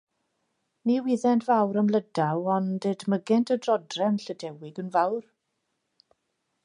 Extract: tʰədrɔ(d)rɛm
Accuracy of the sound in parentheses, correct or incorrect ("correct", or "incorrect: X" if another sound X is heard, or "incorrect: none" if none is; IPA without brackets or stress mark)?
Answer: correct